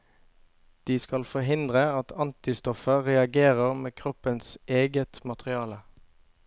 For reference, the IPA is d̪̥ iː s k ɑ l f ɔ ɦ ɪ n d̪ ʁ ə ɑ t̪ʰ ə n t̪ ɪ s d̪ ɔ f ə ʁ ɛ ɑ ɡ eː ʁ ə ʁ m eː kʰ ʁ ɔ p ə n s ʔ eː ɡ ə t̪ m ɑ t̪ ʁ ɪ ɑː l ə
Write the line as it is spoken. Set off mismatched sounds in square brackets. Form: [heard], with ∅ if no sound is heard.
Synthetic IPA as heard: d̪̥ iː s k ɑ l f ɔ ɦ ɪ n d̪ ʁ ə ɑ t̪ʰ [ɑ] n t̪ ɪ s [t̪] ɔ f ə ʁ ɛ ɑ ɡ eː ʁ ə ʁ m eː kʰ ʁ ɔ p ə n s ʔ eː ɡ ə t̪ m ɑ t̪ ʁ ɪ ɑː l ə